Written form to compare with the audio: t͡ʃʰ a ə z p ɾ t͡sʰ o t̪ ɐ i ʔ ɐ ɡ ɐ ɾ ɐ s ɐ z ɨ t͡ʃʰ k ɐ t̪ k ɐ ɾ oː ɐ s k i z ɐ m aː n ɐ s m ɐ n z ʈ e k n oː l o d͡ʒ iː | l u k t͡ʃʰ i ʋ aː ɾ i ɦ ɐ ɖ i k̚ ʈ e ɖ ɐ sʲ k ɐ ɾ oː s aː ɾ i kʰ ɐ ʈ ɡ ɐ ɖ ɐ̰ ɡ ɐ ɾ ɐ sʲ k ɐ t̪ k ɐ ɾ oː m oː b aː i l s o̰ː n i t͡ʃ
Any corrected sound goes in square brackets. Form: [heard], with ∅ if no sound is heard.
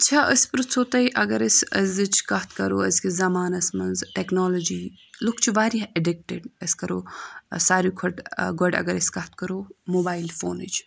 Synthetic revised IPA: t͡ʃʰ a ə [s] p ɾ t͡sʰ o t̪ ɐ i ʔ ɐ ɡ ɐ ɾ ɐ s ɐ z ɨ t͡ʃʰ k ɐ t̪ k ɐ ɾ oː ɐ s k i z ɐ m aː n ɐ s m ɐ n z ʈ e k n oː l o d͡ʒ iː | l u k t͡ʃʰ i ʋ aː ɾ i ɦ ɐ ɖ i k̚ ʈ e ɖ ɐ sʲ k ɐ ɾ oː s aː ɾ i kʰ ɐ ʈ ɡ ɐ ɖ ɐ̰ ɡ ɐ ɾ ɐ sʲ k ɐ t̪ k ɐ ɾ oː m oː b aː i l [f] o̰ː n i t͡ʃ